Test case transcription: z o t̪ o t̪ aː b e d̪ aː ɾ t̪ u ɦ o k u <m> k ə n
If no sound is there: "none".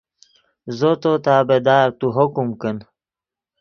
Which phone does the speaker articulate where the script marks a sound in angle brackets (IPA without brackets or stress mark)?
m